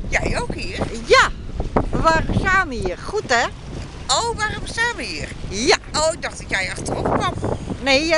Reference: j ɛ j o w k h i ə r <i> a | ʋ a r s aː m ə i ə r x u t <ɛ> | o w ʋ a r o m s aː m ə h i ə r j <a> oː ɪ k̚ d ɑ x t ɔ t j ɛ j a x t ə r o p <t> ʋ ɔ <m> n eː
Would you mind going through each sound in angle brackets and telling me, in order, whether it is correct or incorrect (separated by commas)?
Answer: incorrect, correct, correct, incorrect, correct